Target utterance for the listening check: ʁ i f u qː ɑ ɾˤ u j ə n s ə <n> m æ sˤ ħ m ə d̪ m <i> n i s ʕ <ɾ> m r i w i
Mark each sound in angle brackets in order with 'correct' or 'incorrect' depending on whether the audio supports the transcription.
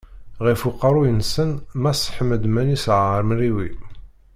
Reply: correct, incorrect: æ, correct

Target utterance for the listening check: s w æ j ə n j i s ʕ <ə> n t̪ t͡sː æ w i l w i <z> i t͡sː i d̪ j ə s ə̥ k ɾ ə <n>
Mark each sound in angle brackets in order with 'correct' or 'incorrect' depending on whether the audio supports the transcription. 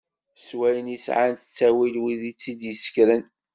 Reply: incorrect: a, incorrect: ð, correct

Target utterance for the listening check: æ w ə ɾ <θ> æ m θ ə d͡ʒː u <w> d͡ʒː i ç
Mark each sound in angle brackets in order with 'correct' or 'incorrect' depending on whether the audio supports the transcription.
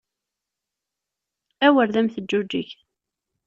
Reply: incorrect: ð, incorrect: none

